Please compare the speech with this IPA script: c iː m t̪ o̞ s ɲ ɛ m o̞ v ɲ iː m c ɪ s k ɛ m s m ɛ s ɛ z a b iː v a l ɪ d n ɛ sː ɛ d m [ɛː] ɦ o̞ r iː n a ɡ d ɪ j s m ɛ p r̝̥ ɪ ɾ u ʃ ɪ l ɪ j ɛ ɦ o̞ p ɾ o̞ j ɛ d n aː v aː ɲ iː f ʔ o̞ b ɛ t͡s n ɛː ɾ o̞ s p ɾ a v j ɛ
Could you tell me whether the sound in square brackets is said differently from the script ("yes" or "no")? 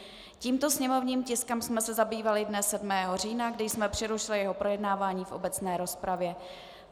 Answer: no